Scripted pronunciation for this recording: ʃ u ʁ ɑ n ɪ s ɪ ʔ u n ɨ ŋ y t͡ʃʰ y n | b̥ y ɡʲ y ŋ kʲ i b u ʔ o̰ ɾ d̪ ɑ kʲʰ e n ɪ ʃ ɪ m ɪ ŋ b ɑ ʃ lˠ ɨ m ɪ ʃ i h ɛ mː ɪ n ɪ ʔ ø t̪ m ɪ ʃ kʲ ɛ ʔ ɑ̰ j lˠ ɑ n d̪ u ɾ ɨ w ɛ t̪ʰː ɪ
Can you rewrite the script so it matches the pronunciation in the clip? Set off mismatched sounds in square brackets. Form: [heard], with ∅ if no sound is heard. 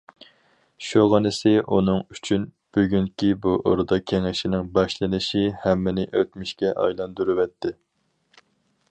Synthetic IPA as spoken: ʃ u ʁ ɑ n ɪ s ɪ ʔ u n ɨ ŋ y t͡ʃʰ y n | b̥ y ɡʲ y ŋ kʲ i b u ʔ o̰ ɾ d̪ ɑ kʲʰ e [ŋ] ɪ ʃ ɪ [n] ɪ ŋ b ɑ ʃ lˠ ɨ [n] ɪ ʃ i h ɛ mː ɪ n ɪ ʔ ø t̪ m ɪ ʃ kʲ ɛ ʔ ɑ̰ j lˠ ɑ n d̪ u ɾ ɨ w ɛ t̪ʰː ɪ